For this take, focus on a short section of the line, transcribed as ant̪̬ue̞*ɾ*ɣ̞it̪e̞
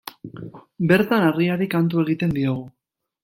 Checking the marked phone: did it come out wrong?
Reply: yes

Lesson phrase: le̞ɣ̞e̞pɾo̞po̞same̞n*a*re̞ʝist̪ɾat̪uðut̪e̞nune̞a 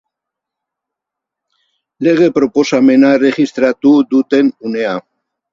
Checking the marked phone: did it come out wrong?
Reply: no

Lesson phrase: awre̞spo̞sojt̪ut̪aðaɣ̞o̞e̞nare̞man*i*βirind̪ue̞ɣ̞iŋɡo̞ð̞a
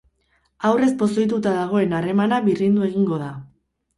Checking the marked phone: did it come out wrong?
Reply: yes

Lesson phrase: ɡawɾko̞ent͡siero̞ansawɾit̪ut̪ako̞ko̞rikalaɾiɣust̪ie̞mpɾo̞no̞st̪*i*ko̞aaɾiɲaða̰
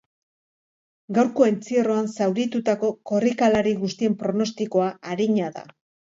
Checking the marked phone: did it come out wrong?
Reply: no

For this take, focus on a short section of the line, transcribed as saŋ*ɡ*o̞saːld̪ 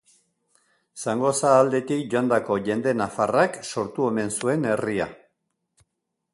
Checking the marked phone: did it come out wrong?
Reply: no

